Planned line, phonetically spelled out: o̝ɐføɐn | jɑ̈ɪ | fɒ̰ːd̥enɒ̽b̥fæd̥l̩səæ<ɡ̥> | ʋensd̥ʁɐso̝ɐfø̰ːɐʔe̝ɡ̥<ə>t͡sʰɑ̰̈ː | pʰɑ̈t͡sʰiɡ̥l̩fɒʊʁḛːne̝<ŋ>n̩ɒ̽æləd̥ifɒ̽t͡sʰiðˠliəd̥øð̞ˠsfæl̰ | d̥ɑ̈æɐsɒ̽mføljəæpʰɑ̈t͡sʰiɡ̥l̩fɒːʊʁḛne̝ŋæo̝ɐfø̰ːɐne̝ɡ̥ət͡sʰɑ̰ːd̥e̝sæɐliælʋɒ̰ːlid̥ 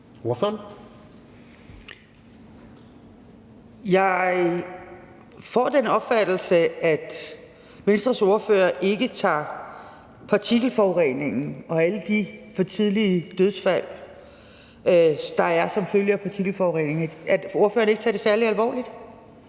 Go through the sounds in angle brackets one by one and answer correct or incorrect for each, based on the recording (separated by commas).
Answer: incorrect, correct, correct